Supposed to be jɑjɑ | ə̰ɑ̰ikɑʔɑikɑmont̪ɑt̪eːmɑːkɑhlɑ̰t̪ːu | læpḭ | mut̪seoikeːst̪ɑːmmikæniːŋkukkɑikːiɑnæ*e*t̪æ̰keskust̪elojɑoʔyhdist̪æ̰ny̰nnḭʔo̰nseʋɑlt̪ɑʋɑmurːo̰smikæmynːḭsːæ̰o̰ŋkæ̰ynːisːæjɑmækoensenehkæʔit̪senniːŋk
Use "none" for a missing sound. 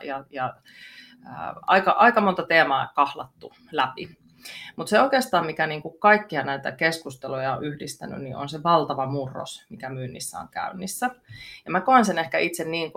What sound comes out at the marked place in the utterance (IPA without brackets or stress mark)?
i